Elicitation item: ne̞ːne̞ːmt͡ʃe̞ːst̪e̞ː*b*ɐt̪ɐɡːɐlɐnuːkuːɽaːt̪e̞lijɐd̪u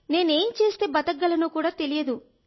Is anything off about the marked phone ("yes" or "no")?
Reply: no